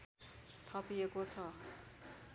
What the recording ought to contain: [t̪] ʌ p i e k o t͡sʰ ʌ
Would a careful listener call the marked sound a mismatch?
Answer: yes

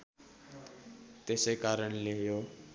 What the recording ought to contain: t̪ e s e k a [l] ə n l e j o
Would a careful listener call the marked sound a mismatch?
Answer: yes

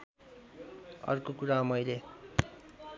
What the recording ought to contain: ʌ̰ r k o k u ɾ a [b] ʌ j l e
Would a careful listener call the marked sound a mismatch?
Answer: yes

